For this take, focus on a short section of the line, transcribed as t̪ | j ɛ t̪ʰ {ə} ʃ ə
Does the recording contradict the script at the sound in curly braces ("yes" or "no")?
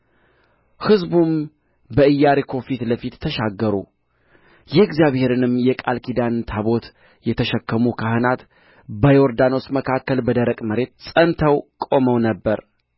no